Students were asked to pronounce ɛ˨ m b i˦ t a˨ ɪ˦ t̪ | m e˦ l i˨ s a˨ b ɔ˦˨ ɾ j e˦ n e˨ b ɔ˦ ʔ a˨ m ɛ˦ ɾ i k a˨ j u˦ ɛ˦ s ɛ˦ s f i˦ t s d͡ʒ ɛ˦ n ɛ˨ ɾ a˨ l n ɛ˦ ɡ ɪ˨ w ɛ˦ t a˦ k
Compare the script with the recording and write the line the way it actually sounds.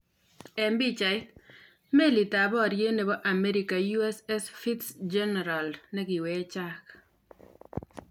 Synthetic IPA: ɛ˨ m b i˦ t͡ʃ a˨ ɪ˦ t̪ | m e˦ l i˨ t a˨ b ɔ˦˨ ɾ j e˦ n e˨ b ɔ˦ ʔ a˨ m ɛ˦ ɾ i k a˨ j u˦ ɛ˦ s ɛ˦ s f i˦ t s d͡ʒ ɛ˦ n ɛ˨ ɾ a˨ l n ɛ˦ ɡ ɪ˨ w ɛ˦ t͡ʃ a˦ k

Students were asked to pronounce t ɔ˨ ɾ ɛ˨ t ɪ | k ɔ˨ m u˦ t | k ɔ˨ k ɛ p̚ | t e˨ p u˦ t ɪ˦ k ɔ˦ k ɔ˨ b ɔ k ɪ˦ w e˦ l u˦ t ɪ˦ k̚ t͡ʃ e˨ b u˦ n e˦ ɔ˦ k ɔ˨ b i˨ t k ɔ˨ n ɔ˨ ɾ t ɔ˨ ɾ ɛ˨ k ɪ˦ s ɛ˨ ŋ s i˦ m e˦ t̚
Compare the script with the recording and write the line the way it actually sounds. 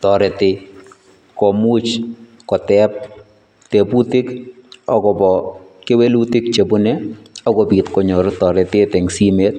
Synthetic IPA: t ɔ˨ ɾ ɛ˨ t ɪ | k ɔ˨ m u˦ t͡ʃ | k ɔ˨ t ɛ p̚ | t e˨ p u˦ t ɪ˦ k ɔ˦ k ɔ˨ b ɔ k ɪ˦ w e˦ l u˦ t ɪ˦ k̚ t͡ʃ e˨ b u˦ n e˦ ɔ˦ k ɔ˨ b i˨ t k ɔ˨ ɲ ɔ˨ ɾ t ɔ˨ ɾ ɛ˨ t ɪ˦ t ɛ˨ ŋ s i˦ m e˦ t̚

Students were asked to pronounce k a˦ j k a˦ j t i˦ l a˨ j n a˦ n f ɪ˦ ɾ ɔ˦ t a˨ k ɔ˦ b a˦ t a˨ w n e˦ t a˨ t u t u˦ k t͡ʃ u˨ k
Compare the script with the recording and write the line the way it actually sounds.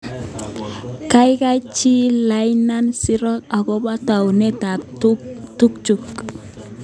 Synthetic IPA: k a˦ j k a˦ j t͡ʃ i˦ l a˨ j n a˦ n s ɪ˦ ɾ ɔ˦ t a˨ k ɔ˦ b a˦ t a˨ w n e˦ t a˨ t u t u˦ k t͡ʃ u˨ k

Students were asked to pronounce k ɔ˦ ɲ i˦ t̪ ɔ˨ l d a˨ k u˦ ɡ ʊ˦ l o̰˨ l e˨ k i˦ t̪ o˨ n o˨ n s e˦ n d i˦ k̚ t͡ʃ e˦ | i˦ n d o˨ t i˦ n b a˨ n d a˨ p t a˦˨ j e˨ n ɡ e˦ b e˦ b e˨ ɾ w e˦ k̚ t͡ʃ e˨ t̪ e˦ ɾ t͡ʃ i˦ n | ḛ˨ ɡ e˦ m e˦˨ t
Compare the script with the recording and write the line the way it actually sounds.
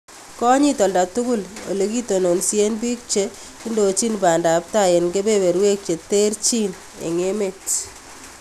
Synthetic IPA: k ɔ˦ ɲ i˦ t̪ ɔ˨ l d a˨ t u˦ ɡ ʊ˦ l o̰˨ l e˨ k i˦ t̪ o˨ n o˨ n s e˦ n b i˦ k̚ t͡ʃ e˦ | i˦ n d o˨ t͡ʃ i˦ n b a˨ n d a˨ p t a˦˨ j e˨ n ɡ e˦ b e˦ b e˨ ɾ w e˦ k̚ t͡ʃ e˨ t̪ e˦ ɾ t͡ʃ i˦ n | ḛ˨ ŋ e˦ m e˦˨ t

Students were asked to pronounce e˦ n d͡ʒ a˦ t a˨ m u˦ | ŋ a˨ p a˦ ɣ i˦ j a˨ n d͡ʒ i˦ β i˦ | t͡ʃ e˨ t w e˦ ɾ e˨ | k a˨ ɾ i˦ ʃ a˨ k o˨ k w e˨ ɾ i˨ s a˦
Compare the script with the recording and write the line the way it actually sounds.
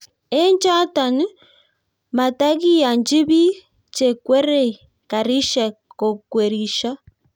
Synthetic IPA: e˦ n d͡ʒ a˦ t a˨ n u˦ | m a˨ t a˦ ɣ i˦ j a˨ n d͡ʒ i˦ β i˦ | t͡ʃ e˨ k w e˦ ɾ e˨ | k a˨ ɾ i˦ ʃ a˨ k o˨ k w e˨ ɾ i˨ ʃ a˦

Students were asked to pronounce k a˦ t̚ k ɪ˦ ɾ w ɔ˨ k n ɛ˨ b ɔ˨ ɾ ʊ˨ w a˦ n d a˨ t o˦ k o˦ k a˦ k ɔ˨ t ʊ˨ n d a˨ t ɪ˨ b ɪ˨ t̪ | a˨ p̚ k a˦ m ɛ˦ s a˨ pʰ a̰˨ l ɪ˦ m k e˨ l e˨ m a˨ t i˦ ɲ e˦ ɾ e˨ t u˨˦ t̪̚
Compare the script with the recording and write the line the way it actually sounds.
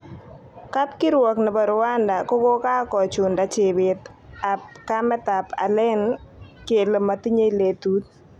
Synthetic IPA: k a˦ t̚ k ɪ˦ ɾ w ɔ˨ k n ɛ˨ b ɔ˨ ɾ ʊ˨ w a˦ n d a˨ k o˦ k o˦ k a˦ k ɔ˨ t͡ʃ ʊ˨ n d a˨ t͡ʃ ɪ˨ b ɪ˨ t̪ | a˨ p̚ k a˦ m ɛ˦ t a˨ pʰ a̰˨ l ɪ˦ n k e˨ l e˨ m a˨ t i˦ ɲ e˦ l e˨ t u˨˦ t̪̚

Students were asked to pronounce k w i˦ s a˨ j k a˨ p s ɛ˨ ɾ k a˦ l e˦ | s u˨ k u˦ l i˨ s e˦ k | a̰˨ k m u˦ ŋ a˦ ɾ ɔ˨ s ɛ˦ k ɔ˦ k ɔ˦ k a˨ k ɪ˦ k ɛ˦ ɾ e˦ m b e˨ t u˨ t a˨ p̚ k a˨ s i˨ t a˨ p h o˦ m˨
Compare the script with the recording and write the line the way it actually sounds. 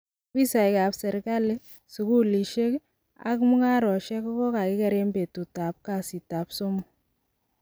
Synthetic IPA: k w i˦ s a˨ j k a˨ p s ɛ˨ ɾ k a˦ l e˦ | s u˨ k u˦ l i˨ ʃ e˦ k | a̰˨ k m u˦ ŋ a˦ ɾ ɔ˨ ʃ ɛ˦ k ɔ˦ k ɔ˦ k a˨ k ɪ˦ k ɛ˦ ɾ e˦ m b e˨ t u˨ t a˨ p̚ k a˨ s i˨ t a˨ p s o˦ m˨

